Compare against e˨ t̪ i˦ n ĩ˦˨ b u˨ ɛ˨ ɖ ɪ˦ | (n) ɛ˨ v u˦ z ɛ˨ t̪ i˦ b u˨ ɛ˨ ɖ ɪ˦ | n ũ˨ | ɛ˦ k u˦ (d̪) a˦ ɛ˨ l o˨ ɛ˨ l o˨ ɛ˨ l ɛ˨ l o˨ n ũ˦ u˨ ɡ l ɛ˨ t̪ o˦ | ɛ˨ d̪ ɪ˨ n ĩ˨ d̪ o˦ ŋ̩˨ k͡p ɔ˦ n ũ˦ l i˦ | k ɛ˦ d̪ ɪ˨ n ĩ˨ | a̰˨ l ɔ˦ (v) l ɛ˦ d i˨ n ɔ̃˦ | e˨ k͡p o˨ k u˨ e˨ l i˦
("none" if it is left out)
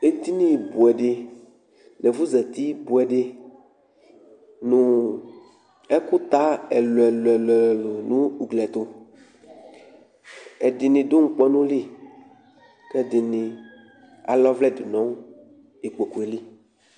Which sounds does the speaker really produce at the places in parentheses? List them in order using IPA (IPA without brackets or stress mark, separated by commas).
n, t̪, v